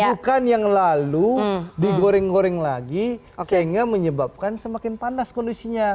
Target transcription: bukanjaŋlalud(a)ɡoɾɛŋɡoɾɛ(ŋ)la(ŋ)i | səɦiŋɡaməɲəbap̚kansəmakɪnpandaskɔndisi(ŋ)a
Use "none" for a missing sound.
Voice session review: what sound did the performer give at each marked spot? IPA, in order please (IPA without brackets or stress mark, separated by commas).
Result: i, ŋ, ɡ, ɲ